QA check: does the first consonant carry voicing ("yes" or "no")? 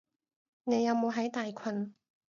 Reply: yes